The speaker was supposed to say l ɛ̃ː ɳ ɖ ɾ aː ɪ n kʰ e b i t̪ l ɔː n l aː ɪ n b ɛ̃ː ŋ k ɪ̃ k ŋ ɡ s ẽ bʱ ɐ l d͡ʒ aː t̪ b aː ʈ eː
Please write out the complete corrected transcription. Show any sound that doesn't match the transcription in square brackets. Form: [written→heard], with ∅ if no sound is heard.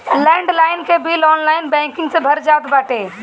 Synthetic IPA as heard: l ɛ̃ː ɳ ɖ [ɾ→l] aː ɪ n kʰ e b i [t̪→∅] l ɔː n l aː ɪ n b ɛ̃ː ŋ k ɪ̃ [k→∅] ŋ ɡ s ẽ bʱ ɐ [l→ɾ] d͡ʒ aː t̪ b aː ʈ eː